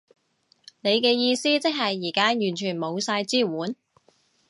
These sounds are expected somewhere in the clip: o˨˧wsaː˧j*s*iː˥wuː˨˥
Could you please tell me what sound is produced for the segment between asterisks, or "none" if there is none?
t͡s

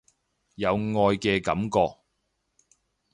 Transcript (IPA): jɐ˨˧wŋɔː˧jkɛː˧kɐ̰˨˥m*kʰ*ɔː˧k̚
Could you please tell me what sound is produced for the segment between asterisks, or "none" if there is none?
k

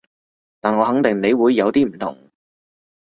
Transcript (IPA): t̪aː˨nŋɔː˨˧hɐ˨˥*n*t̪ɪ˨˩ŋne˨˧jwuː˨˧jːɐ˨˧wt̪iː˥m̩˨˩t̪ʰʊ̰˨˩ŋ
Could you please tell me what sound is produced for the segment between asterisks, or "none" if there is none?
ŋ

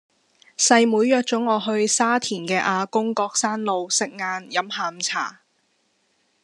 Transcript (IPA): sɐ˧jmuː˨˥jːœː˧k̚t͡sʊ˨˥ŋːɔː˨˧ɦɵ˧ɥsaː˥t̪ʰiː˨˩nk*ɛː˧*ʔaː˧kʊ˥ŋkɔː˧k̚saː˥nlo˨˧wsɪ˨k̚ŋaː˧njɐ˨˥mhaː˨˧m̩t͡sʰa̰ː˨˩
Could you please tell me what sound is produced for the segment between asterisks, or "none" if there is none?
ɛː˧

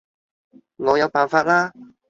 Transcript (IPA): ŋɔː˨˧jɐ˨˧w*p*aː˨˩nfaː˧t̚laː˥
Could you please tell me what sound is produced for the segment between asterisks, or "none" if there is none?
p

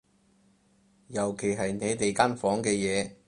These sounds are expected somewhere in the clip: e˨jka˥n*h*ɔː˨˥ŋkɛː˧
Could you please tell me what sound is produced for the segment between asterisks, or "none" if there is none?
f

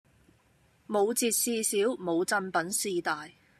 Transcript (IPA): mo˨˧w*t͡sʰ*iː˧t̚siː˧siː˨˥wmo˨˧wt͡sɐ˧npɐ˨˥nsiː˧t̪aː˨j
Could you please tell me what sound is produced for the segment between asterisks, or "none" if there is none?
t͡s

